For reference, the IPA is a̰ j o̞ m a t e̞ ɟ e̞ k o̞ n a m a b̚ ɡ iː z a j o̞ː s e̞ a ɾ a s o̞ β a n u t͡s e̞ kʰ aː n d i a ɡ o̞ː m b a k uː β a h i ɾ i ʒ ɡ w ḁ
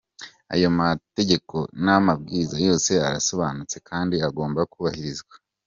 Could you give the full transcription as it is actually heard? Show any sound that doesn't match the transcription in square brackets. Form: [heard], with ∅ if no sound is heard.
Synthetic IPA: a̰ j o̞ m a t e̞ ɟ e̞ k o̞ n a m a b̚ ɡ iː z a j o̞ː s e̞ a ɾ a s o̞ β a n u t͡s e̞ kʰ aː n d i a ɡ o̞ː m b a k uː β a h i ɾ i [z] ɡ w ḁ